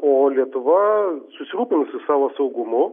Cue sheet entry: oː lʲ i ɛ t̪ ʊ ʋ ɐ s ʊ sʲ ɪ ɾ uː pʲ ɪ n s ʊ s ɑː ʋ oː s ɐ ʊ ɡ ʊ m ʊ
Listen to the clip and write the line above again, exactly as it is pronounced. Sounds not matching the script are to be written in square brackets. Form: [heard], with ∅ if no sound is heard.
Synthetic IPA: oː lʲ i ɛ t̪ ʊ ʋ ɐ s ʊ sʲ ɪ ɾ uː pʲ ɪ n s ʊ s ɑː ʋ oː s ɐ ʊ ɡ ʊ m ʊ